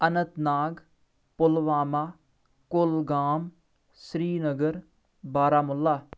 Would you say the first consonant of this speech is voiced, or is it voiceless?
voiced